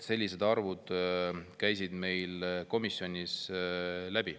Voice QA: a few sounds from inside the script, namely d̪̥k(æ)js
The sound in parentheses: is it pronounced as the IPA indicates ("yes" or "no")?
yes